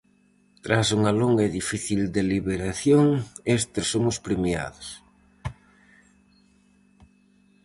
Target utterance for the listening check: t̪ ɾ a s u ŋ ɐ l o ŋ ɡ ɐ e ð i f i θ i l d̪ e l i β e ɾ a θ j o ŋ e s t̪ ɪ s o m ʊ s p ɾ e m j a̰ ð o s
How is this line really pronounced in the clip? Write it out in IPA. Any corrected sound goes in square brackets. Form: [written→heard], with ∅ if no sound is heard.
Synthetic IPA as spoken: t̪ ɾ a s u ŋ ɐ l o ŋ ɡ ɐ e ð i f i θ i l d̪ e l i β e ɾ a θ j o ŋ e s t̪ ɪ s o m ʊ s p ɾ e m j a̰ ð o s